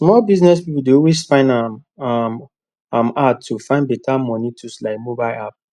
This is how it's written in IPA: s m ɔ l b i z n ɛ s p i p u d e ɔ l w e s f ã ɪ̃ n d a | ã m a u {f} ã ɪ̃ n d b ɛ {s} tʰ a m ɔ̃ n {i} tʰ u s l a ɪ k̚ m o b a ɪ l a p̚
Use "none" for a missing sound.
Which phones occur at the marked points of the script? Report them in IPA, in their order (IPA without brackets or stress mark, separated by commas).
f, none, i